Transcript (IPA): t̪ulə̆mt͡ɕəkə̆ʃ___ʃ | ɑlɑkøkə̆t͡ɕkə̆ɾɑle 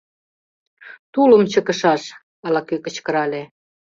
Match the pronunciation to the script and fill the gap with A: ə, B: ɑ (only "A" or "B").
B